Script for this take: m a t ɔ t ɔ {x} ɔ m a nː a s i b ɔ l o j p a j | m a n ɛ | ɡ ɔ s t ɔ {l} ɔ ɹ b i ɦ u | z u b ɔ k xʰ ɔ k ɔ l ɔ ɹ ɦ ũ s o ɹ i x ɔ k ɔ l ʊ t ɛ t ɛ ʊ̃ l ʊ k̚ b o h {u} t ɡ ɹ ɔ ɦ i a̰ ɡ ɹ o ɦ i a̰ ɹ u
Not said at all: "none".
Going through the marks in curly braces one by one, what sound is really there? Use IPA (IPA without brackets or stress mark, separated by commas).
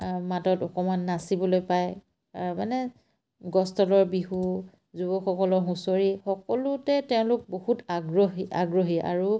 k, l, u